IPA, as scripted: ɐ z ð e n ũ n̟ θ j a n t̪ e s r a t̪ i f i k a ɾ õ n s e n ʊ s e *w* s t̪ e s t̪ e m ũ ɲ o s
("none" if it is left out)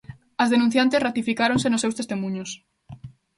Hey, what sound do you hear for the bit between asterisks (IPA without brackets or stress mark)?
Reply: w